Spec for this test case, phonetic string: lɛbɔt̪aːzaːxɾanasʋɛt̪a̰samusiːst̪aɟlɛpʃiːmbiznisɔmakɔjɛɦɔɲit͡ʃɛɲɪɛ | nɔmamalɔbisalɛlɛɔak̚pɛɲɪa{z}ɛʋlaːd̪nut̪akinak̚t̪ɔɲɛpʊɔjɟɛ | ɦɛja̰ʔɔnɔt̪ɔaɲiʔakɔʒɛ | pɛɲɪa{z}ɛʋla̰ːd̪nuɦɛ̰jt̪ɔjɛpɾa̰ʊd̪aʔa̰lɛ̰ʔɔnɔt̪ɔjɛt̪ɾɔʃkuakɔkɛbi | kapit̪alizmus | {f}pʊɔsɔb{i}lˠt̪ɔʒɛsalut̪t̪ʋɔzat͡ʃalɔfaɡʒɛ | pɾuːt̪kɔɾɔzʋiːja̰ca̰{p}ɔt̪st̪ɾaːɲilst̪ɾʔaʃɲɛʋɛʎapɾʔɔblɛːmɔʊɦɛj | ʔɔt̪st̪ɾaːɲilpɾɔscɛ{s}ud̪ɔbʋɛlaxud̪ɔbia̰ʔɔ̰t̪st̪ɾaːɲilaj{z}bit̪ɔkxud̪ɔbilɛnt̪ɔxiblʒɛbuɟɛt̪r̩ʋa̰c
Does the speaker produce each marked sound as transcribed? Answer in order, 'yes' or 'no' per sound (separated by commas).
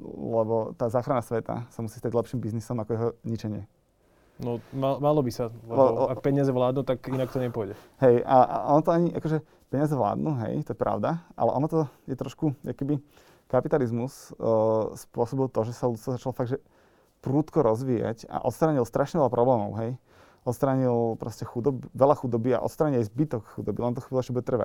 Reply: yes, yes, no, yes, no, no, yes